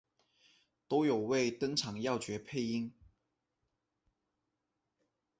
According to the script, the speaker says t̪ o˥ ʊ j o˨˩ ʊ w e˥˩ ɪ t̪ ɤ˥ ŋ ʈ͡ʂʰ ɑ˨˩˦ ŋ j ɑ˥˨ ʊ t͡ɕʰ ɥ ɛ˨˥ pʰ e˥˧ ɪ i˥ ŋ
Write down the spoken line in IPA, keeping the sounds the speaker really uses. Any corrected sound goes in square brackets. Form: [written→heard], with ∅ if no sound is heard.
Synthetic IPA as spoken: t̪ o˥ ʊ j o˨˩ ʊ w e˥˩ ɪ t̪ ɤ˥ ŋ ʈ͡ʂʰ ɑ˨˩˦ ŋ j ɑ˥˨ ʊ [t͡ɕʰ→t͡ɕ] ɥ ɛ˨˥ pʰ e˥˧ ɪ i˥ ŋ